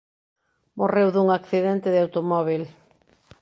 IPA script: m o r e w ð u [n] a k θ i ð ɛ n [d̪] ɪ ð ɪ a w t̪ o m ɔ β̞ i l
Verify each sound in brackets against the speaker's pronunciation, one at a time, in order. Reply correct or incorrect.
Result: incorrect: ŋ, incorrect: t̪

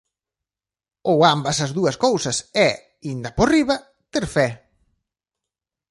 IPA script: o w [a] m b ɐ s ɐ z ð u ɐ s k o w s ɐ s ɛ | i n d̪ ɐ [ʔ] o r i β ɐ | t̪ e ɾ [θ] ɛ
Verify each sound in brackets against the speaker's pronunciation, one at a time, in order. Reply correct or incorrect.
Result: correct, incorrect: p, incorrect: f

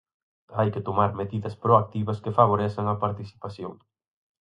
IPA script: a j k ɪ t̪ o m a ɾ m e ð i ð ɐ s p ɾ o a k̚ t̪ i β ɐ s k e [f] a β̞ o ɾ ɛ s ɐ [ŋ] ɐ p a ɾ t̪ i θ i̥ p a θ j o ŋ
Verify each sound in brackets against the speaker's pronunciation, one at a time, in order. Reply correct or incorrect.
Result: correct, correct

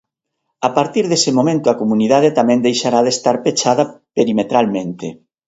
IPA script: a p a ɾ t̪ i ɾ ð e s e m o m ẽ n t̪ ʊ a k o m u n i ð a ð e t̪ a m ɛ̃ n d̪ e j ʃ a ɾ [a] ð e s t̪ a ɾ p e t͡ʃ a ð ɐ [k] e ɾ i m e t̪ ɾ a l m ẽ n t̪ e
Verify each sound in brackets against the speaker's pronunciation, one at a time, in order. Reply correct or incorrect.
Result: correct, incorrect: p

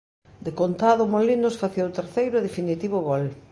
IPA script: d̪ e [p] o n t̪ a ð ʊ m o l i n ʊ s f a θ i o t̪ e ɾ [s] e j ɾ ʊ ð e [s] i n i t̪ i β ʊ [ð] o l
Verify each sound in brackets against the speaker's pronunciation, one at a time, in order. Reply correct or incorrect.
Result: incorrect: k, incorrect: θ, incorrect: f, incorrect: ɣ

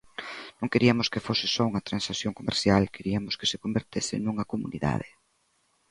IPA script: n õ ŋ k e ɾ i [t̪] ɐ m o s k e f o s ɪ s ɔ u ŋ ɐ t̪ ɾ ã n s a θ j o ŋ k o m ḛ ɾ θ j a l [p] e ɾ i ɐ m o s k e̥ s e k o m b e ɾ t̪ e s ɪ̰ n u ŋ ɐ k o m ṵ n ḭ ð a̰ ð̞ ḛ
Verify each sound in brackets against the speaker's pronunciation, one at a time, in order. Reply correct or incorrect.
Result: incorrect: none, incorrect: k

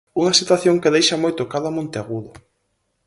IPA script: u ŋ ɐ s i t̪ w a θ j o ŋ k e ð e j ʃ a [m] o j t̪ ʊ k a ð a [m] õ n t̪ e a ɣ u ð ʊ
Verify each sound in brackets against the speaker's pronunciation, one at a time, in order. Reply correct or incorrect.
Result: correct, correct

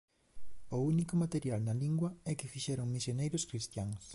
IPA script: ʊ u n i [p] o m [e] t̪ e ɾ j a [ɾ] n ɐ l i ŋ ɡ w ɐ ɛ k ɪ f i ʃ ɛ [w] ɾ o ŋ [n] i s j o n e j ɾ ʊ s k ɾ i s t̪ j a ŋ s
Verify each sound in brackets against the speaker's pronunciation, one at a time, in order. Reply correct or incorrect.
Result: incorrect: k, incorrect: a, incorrect: l, incorrect: none, incorrect: m

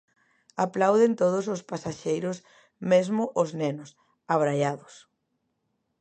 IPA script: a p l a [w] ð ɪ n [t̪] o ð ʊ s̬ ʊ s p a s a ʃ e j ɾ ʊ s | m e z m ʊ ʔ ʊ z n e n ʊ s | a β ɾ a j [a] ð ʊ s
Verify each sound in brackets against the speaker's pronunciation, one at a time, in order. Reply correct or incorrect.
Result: correct, correct, correct

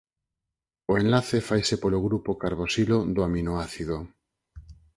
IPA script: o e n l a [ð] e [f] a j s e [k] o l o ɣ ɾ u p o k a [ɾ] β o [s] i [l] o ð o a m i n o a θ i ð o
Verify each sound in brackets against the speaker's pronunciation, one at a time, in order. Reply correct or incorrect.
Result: incorrect: θ, correct, incorrect: p, correct, correct, correct

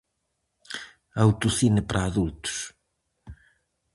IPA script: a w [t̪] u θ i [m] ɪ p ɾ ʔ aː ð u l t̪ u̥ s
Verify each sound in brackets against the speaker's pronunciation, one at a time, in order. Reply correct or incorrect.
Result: correct, incorrect: n

